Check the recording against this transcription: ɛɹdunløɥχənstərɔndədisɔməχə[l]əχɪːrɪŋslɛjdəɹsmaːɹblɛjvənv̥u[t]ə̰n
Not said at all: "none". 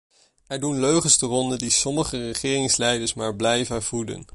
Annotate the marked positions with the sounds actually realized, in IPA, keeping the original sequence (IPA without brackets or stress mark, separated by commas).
r, d